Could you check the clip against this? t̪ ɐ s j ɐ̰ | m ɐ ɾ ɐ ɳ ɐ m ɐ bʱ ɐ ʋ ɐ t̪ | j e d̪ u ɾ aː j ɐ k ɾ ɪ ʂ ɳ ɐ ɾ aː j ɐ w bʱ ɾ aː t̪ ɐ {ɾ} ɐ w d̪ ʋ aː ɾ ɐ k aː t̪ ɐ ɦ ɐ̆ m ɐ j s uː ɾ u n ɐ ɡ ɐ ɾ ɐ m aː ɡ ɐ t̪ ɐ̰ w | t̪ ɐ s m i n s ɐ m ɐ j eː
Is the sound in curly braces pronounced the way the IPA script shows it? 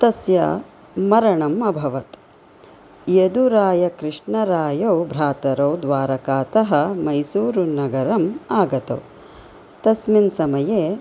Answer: yes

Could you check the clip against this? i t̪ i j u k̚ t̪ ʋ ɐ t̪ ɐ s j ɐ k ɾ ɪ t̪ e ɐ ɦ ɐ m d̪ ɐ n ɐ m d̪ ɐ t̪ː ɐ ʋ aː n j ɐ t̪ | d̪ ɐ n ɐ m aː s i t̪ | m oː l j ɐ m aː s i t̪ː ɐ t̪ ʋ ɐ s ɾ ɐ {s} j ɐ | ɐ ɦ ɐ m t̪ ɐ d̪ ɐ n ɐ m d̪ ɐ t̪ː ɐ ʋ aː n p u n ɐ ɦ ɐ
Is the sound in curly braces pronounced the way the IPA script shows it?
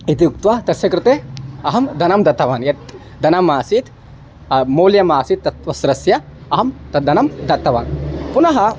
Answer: yes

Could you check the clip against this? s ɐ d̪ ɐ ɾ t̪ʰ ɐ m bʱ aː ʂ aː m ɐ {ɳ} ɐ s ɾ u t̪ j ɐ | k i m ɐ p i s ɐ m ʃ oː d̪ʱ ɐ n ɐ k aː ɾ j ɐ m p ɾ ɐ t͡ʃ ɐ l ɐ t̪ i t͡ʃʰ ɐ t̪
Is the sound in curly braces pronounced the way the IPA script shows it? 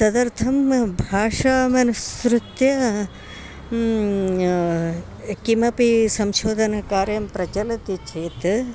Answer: no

